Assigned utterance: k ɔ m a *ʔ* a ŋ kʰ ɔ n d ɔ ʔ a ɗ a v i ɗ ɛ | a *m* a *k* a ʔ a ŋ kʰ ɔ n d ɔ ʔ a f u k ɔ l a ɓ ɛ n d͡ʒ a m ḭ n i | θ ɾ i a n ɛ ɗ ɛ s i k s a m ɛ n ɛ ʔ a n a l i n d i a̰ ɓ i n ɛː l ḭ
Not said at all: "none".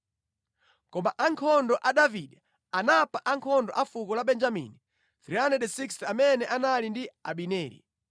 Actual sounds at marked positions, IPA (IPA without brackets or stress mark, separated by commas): ʔ, n, p